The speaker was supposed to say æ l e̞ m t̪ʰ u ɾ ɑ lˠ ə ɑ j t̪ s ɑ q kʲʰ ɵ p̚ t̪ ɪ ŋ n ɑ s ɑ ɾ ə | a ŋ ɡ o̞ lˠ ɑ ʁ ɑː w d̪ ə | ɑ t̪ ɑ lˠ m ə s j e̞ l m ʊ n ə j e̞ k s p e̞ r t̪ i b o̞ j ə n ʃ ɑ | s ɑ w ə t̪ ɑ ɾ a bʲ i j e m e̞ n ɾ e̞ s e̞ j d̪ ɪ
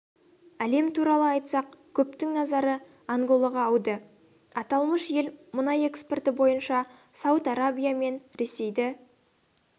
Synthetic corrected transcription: æ l e̞ m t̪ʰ u ɾ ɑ lˠ ə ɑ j t̪ s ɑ q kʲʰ ɵ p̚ t̪ ɪ ŋ n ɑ z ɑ ɾ ə | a ŋ ɡ o̞ lˠ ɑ ʁ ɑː w d̪ ə | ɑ t̪ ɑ lˠ m ə ʃ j e̞ l m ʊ n ɑ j e̞ k s p e̞ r t̪ ɪ b o̞ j ə n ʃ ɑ | s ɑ w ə t̪ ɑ ɾ a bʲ i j a m e̞ n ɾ e̞ s e̞ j d̪ ɪ